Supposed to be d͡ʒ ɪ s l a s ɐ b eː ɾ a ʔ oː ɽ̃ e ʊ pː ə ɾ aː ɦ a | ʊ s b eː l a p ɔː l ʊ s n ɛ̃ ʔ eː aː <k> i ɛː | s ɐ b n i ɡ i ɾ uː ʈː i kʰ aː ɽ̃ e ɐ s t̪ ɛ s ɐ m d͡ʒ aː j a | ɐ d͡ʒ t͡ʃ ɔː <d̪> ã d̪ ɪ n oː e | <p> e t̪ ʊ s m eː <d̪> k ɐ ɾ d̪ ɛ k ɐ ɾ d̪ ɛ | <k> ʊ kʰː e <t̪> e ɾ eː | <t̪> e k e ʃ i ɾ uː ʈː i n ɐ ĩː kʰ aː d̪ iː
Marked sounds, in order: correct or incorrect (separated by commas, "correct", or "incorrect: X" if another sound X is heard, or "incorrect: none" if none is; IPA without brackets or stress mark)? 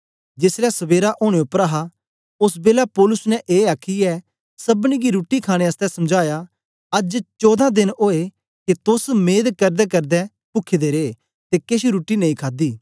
incorrect: kʰ, correct, incorrect: k, correct, incorrect: p, incorrect: d̪, correct